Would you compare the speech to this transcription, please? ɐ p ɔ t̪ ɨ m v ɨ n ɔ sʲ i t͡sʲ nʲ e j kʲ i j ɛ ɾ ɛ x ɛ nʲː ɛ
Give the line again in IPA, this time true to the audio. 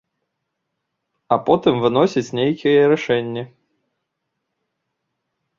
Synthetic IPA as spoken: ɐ p ɔ t̪ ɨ m v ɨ n ɔ sʲ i t͡sʲ nʲ e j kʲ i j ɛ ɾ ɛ ʂ ɛ nʲː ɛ